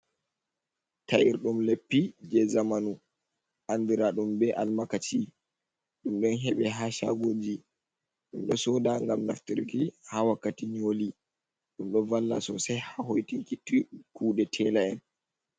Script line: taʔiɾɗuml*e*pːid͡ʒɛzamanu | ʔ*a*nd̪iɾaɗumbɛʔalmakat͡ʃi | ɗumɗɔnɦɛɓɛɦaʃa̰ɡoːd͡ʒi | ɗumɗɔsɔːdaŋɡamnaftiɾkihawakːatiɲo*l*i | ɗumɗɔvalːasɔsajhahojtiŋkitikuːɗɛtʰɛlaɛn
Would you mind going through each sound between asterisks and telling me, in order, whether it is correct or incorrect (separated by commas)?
correct, correct, correct